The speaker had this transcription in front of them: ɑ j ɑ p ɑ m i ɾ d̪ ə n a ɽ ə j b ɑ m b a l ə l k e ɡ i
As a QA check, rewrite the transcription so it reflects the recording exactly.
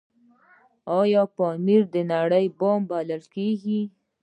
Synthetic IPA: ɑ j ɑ p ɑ m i ɾ d̪ ə n a ɽ ə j b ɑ m b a l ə l k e ɡ i